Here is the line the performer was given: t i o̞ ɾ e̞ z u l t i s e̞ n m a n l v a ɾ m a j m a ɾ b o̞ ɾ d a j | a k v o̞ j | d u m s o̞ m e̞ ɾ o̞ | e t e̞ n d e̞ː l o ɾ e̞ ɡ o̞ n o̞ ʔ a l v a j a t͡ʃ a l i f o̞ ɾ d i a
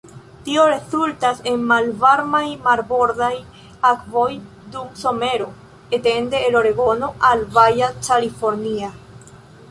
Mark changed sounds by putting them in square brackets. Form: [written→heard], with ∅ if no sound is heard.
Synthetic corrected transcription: t i o̞ ɾ e̞ z u l t [i→a] s e̞ n m a [n→∅] l v a ɾ m a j m a ɾ b o̞ ɾ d a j | a k v o̞ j | d u m s o̞ m e̞ ɾ o̞ | e t e̞ n d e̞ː l o ɾ e̞ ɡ o̞ n o̞ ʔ a l v a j a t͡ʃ a l i f o̞ ɾ [d→n] i a